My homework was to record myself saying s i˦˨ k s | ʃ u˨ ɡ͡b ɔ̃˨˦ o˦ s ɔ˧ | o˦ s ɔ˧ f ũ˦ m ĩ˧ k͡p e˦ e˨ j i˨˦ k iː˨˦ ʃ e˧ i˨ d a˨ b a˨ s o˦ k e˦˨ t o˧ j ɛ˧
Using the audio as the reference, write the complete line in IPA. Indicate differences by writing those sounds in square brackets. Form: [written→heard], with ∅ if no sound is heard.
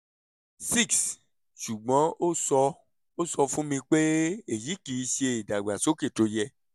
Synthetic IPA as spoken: s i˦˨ k s | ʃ u˨ ɡ͡b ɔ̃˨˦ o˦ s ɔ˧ | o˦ s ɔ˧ f ũ˦ m ĩ˧ k͡p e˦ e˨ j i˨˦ k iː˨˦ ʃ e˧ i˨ d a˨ [b→ɡ͡b] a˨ s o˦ k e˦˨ t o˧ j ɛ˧